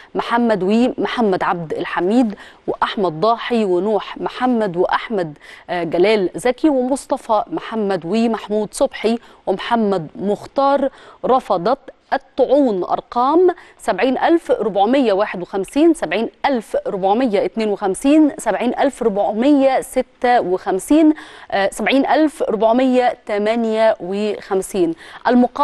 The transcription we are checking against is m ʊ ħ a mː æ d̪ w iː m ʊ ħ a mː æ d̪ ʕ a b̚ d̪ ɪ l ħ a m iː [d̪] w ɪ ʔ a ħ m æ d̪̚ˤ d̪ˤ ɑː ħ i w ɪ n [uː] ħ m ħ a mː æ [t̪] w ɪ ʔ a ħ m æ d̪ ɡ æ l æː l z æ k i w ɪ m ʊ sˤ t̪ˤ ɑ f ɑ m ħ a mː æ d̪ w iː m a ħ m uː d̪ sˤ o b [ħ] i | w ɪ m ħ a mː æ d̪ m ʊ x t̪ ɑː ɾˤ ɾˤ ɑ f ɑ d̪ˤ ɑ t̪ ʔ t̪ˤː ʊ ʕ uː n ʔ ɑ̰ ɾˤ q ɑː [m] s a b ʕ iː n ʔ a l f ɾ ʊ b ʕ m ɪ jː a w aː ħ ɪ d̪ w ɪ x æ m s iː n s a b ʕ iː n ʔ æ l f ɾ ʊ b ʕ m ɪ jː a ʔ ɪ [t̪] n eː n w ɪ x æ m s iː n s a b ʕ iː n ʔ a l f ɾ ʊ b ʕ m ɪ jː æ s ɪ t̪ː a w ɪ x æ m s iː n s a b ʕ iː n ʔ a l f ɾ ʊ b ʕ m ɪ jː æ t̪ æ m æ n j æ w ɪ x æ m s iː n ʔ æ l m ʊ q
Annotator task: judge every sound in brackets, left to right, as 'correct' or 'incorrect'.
correct, correct, incorrect: d̪, correct, correct, correct

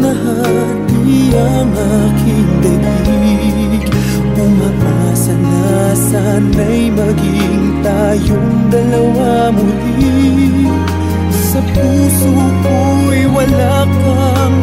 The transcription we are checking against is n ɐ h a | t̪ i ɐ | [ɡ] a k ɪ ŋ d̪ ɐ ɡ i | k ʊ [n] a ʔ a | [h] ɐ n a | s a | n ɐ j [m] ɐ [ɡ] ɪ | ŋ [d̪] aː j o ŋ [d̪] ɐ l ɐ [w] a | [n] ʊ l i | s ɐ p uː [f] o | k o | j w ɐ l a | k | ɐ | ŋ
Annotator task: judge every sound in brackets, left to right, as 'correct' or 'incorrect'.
incorrect: ŋ, incorrect: m, incorrect: s, correct, correct, incorrect: t̪, correct, correct, incorrect: m, incorrect: s

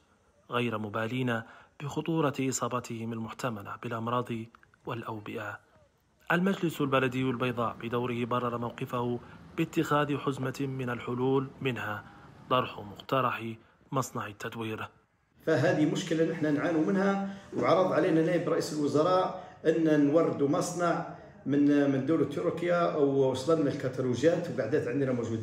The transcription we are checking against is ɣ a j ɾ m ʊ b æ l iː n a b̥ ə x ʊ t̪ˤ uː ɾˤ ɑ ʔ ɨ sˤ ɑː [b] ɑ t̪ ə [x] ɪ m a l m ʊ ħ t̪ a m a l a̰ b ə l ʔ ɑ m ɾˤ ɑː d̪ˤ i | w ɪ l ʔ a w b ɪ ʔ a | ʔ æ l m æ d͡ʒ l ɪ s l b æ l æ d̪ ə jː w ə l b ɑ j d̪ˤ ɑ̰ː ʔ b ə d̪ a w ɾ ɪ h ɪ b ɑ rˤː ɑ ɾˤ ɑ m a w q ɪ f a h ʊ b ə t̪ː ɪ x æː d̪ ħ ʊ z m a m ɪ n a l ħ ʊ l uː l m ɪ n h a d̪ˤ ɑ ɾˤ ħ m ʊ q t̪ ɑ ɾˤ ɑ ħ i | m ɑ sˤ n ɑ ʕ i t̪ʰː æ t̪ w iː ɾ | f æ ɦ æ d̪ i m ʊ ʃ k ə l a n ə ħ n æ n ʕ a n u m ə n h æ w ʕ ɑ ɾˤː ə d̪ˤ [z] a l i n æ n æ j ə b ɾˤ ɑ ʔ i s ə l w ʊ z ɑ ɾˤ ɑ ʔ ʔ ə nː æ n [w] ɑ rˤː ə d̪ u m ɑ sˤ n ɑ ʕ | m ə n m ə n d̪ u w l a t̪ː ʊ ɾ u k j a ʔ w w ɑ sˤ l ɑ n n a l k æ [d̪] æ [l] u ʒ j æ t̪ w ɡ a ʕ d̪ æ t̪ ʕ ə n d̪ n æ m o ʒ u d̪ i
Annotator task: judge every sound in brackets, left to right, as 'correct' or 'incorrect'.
correct, incorrect: h, incorrect: ʕ, correct, incorrect: t̪, correct

